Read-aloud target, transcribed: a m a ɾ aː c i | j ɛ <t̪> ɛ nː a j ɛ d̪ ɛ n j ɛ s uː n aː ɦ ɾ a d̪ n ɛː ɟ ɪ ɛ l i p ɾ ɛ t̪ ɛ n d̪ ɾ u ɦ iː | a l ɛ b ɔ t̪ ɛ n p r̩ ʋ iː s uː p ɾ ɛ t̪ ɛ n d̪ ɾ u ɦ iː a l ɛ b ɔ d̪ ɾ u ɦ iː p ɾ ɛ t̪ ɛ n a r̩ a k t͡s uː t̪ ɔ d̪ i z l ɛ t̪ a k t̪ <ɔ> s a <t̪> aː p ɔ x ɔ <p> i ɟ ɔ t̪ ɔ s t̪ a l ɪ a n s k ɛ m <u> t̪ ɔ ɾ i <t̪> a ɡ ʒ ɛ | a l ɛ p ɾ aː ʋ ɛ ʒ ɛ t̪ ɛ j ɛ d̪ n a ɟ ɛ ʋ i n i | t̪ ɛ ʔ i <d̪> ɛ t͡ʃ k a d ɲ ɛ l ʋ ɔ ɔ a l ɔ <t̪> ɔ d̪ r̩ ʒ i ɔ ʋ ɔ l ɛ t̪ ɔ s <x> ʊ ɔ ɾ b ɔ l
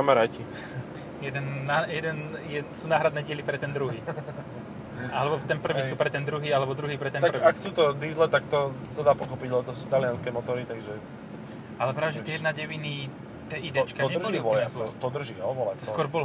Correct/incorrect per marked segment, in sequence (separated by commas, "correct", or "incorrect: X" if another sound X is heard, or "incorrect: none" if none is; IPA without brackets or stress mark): incorrect: d̪, correct, incorrect: d̪, correct, incorrect: ɔ, correct, correct, correct, incorrect: k